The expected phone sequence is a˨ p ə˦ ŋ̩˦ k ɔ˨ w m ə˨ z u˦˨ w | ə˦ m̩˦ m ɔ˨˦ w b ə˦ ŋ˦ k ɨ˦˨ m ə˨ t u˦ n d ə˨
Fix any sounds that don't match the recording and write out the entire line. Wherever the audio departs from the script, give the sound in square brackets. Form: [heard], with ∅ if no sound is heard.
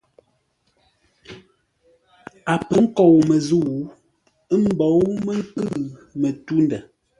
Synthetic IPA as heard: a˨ p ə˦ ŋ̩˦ k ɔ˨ w m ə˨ z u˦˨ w | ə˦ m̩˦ [b] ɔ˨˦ w [m] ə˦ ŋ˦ k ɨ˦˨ m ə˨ t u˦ n d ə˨